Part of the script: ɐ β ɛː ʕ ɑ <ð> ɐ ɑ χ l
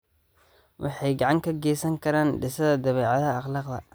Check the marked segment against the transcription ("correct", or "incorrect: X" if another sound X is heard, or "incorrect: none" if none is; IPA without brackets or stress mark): correct